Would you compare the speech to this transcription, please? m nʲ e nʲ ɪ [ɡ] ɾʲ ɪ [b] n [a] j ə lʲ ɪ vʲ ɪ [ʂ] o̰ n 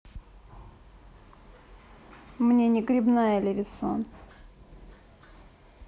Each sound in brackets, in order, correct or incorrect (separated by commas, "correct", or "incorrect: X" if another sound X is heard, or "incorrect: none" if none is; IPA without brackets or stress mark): correct, correct, correct, incorrect: s